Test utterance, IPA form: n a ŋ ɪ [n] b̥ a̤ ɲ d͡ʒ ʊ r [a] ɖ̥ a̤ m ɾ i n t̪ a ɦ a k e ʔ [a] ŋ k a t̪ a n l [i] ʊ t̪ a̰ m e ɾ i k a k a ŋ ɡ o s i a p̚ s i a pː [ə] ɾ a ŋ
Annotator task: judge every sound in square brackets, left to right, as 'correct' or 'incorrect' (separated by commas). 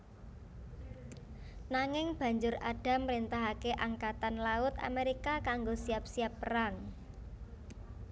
incorrect, correct, correct, incorrect, correct